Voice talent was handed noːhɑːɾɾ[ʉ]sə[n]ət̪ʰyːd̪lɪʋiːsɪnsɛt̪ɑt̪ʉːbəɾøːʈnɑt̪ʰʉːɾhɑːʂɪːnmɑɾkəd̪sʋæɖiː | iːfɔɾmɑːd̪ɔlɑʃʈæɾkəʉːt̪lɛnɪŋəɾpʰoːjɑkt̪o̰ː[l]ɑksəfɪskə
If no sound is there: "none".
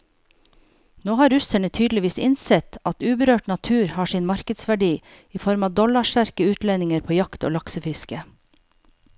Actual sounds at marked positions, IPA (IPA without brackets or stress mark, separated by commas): ʉ, ɳ, l